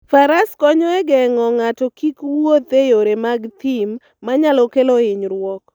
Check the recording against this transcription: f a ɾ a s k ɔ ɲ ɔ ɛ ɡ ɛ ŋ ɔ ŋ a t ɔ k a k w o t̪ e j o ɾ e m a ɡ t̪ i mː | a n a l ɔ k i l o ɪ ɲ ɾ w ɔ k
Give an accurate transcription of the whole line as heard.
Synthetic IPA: f a ɾ a s k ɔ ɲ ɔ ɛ ɡ ɛ ŋ ɔ ŋ a t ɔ k i k w o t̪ e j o ɾ e m a ɡ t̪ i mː | a ɲ a l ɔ k e l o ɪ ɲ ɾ w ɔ k